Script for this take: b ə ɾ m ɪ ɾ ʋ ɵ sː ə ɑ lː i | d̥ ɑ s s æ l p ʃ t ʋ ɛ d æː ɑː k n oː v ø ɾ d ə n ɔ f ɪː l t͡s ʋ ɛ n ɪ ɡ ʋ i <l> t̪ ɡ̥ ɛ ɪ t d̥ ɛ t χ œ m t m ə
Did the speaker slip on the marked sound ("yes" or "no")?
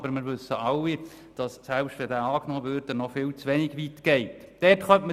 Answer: yes